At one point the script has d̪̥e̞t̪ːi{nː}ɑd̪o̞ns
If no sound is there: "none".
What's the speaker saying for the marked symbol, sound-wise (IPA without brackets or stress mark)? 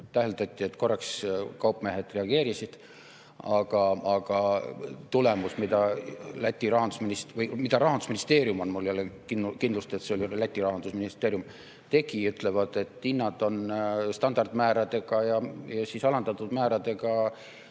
nː